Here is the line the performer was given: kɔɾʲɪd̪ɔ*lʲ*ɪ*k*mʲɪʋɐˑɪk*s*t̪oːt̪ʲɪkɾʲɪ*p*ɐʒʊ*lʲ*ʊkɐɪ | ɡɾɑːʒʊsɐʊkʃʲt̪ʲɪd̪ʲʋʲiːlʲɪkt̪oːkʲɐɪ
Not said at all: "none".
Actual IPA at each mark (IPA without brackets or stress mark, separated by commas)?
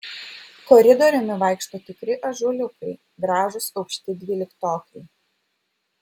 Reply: ɾʲ, none, ʃ, ʔ, lʲ